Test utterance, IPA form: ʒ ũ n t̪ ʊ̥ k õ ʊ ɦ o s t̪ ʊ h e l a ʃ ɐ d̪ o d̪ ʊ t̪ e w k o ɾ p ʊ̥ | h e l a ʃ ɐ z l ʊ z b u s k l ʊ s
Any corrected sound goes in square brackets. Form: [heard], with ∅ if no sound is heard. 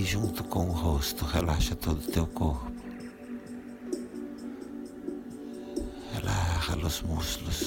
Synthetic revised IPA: ʒ ũ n t̪ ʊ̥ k õ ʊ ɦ o s t̪ ʊ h e l a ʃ ɐ [t̪] o d̪ ʊ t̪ e w k o ɾ p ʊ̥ | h e l a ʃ ɐ [∅] l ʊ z [m] u s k l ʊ s